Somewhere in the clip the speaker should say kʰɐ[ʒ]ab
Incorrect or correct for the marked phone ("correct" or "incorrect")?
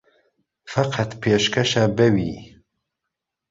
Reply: incorrect